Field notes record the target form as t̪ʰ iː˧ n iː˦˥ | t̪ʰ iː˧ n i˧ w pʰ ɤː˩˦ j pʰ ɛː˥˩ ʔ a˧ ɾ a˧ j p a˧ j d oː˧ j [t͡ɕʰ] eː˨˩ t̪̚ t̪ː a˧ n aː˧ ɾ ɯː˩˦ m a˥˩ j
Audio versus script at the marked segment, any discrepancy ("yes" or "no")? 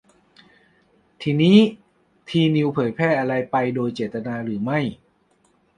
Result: yes